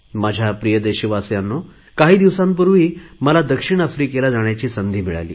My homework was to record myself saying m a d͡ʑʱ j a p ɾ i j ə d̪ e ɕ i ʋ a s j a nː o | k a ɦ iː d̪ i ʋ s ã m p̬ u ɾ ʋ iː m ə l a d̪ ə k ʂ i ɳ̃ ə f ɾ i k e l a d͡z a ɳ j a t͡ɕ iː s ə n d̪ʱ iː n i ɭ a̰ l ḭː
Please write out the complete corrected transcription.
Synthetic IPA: m a d͡ʑʱ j a p ɾ i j ə d̪ e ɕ i ʋ a s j a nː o | k a ɦ iː d̪ i ʋ s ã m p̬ u ɾ ʋ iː m ə l a d̪ ə k ʂ i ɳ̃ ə f ɾ i k e l a d͡z a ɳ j a t͡ɕ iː s ə n d̪ʱ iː m i ɭ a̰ l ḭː